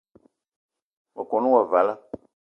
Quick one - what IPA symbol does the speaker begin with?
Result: w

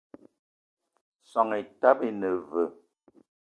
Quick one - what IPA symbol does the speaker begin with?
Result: s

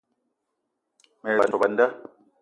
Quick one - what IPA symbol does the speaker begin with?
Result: m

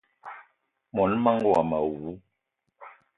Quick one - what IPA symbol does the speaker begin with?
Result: m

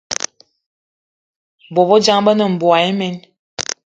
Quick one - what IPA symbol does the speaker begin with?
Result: b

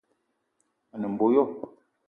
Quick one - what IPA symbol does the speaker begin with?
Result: n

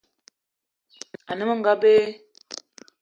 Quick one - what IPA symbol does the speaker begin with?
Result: a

